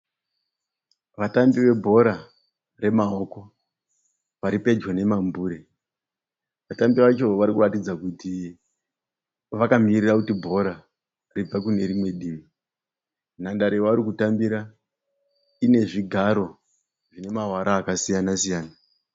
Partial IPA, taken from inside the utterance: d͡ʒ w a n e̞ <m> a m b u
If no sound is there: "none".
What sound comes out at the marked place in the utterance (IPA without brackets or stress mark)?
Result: m